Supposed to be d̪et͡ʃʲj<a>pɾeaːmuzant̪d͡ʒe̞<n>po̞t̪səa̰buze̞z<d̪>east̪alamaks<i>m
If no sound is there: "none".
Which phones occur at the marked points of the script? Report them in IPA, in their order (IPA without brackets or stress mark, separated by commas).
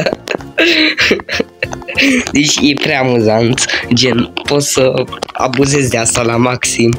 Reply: e, n, d̪, i